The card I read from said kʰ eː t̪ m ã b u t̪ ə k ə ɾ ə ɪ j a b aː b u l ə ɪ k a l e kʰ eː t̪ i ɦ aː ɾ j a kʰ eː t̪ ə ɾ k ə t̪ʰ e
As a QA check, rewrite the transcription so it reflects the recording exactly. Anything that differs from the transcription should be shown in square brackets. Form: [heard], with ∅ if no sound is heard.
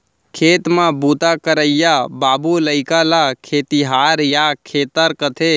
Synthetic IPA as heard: kʰ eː t̪ m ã b u t̪ [a] k ə ɾ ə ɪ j a b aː b u l ə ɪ k a l [a] kʰ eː t̪ i ɦ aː ɾ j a kʰ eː t̪ ə ɾ k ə t̪ʰ e